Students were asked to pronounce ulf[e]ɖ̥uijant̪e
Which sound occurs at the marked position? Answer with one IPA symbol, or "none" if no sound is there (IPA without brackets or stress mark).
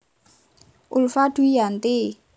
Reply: a